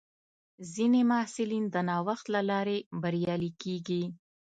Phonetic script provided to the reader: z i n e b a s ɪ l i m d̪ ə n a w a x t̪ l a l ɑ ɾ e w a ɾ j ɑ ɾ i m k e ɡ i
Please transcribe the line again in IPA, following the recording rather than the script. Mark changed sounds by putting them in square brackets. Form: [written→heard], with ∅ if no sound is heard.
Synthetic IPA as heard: z i n e [b→m] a s ɪ l i [m→n] d̪ ə n [a→ɑ] w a x t̪ l a l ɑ ɾ e [w→b] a ɾ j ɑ [ɾ→l] i [m→∅] k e ɡ i